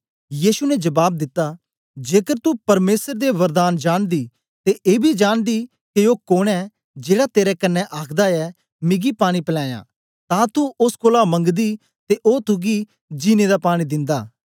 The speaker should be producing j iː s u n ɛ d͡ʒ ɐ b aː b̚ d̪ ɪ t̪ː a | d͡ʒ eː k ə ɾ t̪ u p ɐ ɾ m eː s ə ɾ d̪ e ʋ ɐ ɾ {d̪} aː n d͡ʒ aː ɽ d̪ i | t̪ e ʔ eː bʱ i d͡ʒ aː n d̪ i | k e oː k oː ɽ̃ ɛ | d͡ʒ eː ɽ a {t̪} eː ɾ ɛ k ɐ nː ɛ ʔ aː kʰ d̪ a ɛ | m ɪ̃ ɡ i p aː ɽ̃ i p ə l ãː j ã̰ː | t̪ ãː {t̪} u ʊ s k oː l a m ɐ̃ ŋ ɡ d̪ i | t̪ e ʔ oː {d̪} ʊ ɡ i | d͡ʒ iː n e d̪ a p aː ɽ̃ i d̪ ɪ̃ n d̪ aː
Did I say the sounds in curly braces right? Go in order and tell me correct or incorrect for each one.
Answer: correct, correct, correct, incorrect: t̪

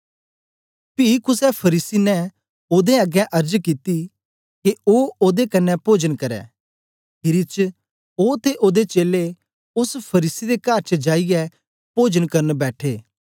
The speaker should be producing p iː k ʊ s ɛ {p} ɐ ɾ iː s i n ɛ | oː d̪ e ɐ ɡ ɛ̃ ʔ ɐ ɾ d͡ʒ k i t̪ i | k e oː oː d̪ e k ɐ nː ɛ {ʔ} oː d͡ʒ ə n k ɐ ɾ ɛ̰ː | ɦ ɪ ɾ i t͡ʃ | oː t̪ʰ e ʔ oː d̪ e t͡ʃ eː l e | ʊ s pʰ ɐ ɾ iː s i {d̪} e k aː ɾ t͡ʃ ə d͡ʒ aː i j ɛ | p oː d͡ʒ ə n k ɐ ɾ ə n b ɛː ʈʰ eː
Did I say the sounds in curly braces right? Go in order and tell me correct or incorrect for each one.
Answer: incorrect: pʰ, incorrect: p, correct

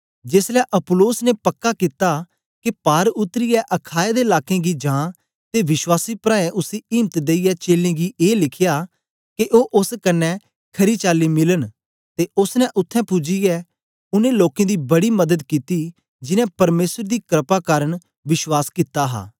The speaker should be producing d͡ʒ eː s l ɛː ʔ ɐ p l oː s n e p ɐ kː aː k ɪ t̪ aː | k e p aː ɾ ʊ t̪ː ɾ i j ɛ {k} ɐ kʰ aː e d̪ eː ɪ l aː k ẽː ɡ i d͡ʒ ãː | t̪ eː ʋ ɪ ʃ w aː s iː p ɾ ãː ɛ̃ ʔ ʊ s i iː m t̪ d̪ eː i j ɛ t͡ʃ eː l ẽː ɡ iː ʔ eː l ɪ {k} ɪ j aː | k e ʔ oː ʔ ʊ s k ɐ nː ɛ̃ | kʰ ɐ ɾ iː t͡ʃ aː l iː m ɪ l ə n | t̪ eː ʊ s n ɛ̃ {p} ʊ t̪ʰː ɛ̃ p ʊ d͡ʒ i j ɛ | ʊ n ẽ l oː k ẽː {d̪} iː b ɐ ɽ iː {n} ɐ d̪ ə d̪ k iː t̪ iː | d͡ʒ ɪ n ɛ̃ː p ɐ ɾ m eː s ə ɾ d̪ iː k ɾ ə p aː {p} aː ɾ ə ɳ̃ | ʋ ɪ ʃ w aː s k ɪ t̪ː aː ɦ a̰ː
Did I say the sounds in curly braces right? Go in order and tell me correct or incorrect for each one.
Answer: incorrect: ʔ, incorrect: kʰ, incorrect: ʔ, correct, incorrect: m, incorrect: k

